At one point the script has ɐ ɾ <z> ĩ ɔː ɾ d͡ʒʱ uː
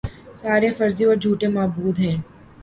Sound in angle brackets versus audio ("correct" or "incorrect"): correct